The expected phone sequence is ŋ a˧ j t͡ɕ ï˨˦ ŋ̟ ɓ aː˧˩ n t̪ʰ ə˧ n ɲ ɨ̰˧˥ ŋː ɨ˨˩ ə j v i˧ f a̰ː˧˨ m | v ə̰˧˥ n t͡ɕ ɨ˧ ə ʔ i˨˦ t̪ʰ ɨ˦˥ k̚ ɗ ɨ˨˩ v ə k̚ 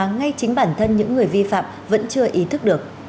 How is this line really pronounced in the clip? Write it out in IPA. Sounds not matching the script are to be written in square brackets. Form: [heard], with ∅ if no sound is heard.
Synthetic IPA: ŋ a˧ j t͡ɕ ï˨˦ ŋ̟ ɓ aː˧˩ n t̪ʰ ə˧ n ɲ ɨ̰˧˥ ŋː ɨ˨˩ ə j v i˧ f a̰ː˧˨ m | v ə̰˧˥ n t͡ɕ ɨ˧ ə ʔ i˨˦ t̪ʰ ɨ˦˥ k̚ ɗ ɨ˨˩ [∅] ə k̚